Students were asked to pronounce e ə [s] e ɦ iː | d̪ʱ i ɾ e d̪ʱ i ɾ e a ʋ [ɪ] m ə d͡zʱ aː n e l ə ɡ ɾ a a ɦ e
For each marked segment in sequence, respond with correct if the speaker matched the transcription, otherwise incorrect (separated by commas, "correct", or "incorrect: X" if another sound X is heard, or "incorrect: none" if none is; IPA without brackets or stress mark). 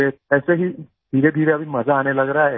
correct, incorrect: i